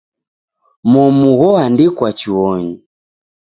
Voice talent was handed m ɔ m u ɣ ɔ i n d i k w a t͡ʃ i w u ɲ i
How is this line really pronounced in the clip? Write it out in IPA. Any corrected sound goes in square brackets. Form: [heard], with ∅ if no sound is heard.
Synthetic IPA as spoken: m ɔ m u ɣ ɔ [a] n d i k w a t͡ʃ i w [ɔ] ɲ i